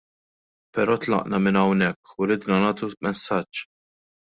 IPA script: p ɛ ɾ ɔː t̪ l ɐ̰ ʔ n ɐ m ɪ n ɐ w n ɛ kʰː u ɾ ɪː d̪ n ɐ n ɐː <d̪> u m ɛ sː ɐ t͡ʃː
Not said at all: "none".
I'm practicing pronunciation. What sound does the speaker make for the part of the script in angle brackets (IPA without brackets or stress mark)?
t̪